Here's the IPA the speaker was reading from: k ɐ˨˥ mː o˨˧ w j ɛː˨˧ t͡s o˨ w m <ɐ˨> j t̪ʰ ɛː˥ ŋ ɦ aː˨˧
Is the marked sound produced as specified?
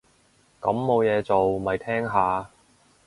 yes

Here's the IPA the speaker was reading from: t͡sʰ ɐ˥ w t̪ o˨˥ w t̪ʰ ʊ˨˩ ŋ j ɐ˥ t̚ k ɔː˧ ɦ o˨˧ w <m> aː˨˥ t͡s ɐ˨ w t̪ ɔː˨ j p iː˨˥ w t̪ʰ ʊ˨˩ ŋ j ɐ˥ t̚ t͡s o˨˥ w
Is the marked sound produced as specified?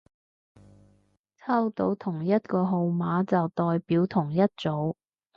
yes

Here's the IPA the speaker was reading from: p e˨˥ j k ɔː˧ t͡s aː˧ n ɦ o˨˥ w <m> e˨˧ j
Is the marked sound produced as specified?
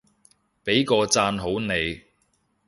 no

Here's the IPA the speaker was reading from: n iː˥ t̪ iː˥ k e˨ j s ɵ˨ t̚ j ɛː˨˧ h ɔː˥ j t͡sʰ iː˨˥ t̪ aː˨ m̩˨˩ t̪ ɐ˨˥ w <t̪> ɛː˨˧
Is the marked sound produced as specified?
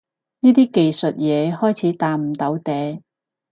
yes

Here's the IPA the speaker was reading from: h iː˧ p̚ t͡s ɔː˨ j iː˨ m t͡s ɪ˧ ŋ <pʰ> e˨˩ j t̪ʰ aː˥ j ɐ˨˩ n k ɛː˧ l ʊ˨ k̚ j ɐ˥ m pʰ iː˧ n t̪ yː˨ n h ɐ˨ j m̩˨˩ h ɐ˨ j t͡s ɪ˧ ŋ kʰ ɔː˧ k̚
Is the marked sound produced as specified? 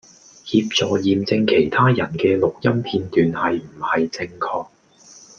no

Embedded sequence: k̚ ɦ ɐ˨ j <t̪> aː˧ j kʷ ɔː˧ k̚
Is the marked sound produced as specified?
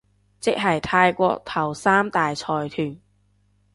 no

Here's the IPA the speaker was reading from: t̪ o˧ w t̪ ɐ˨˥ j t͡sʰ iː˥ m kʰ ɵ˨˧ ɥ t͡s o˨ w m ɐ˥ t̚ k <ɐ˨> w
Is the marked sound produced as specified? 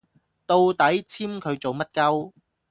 no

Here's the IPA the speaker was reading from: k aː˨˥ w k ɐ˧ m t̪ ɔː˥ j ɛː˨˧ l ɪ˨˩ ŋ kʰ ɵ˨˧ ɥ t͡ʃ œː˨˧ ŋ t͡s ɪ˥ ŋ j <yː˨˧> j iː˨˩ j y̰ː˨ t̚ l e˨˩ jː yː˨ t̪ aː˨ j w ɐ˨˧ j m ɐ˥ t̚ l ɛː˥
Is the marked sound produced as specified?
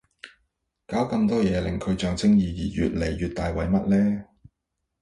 no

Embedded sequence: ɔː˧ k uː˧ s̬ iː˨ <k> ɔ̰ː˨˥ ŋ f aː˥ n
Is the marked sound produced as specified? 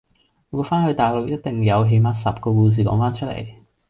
yes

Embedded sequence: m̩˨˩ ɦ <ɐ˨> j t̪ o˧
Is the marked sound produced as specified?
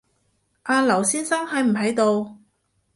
no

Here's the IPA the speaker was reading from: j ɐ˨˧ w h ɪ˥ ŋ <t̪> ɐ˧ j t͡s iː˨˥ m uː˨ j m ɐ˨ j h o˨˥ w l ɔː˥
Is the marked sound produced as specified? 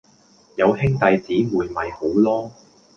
yes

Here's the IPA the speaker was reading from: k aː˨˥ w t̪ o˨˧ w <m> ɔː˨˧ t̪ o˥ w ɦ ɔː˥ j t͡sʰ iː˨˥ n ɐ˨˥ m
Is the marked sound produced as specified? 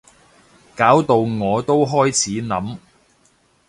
no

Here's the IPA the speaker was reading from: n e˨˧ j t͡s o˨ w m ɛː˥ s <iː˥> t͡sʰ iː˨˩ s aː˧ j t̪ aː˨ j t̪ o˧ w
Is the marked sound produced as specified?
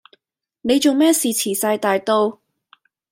no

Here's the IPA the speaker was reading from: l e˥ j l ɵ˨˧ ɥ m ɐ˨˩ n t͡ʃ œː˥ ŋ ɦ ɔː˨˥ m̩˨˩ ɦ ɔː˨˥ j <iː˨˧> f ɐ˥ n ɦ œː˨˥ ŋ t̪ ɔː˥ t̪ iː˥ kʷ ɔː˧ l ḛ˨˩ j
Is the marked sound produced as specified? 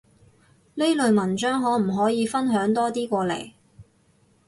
yes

